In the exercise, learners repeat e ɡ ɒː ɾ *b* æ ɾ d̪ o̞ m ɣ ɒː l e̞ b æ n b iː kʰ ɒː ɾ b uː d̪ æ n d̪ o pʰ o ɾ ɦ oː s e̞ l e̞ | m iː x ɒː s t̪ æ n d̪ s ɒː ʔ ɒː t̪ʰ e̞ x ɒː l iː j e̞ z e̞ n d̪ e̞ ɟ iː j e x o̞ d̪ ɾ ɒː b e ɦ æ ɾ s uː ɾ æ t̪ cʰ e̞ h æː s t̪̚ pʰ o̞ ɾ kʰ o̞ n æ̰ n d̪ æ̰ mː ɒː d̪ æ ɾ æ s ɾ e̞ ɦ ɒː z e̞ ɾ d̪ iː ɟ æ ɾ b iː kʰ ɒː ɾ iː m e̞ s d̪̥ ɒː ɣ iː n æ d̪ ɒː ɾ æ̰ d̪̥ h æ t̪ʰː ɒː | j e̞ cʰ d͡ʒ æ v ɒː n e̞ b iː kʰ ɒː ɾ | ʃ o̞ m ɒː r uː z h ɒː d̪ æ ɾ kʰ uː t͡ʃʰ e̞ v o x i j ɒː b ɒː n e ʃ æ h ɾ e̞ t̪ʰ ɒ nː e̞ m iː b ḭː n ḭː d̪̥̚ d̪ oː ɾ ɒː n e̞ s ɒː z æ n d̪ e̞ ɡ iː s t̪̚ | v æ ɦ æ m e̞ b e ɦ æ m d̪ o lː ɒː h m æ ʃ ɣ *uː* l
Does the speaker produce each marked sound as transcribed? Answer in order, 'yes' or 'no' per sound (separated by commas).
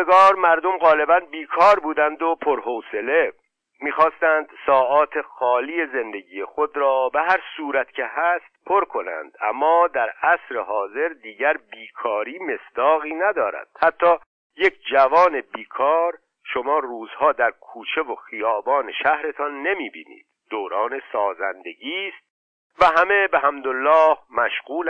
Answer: no, yes